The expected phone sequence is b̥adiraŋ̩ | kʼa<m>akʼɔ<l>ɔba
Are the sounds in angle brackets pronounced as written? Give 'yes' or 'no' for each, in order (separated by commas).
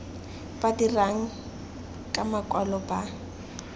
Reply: yes, yes